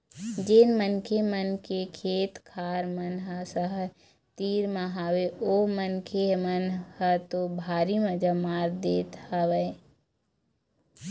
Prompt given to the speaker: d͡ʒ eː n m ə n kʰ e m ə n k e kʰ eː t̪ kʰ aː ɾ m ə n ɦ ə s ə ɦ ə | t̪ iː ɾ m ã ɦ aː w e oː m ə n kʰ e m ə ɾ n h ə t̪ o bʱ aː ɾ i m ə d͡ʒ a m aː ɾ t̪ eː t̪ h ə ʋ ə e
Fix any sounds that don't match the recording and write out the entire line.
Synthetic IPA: d͡ʒ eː n m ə n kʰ e m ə n k e kʰ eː t̪ kʰ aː ɾ m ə n ɦ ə s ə ɦ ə | t̪ iː ɾ m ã ɦ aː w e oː m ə n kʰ e m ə n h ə t̪ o bʱ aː ɾ i m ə d͡ʒ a m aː ɾ d̪ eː t̪ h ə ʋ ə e